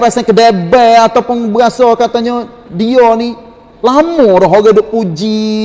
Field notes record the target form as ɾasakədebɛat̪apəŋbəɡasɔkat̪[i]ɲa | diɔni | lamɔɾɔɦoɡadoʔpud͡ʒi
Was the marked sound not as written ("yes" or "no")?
yes